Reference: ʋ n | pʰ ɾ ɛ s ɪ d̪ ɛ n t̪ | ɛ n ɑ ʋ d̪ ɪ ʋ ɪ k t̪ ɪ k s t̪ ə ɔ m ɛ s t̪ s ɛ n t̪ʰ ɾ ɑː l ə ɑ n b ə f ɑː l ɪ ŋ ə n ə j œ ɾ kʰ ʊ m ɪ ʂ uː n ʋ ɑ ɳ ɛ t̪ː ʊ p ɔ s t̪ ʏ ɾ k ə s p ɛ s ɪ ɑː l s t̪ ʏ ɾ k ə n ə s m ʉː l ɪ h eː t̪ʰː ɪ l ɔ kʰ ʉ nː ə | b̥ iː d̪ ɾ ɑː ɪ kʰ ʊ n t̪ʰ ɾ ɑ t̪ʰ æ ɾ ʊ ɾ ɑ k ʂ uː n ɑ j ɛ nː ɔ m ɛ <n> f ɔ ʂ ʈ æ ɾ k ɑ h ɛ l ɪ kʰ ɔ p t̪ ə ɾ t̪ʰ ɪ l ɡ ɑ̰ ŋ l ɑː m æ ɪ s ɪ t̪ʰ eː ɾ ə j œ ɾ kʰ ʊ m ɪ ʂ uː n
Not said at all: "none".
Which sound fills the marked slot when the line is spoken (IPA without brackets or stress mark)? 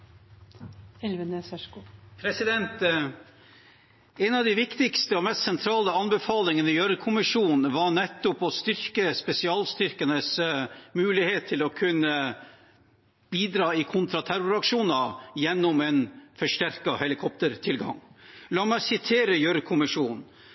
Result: n